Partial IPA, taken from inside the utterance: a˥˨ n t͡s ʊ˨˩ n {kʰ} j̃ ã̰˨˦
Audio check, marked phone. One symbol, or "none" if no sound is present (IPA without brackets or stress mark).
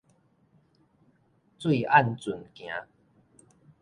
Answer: k